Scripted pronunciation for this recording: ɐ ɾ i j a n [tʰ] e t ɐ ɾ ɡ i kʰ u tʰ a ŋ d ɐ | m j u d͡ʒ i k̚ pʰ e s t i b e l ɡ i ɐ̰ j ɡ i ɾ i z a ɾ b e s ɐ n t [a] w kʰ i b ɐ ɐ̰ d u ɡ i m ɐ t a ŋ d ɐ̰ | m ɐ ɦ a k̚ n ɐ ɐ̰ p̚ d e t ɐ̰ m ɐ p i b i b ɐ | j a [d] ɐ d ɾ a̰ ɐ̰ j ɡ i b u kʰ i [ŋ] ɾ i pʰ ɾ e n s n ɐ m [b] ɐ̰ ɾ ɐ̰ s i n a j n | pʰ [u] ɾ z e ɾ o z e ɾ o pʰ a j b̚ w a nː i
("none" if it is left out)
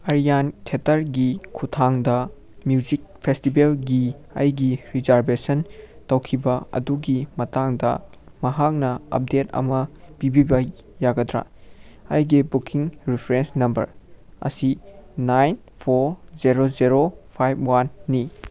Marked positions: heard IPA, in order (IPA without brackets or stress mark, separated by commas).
tʰ, ɐ, ɡ, ŋ, b, o